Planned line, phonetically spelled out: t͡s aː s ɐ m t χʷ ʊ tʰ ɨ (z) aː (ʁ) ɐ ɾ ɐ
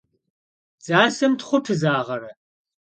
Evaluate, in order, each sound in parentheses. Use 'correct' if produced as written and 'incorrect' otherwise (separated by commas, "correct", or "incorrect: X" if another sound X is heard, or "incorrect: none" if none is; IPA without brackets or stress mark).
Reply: correct, correct